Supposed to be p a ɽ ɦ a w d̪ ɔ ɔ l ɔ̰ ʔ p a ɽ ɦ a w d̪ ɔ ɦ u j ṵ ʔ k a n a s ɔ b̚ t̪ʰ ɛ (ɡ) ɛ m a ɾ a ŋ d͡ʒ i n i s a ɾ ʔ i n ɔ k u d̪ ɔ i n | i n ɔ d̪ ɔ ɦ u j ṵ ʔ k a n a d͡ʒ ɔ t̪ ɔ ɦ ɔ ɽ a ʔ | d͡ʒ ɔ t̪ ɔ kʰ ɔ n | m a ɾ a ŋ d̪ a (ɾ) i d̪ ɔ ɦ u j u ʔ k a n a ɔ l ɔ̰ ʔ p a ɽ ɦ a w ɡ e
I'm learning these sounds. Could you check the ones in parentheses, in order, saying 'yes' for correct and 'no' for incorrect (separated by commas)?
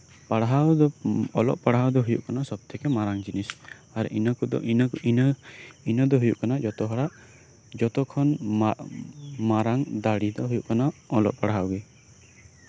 no, no